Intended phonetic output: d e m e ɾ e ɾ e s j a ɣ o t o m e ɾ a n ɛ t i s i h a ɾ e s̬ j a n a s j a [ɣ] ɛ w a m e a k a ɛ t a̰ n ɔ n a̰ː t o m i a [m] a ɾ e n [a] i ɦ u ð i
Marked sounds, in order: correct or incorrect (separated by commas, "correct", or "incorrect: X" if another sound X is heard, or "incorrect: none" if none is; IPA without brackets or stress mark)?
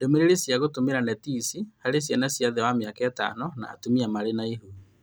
incorrect: ð, correct, correct